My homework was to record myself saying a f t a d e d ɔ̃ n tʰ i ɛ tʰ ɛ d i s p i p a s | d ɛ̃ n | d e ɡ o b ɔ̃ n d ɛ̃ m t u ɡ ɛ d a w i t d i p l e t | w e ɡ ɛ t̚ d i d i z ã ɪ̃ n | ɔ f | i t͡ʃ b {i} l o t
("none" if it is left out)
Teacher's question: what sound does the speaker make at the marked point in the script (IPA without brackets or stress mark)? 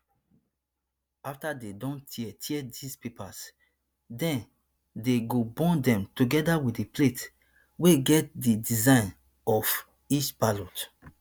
a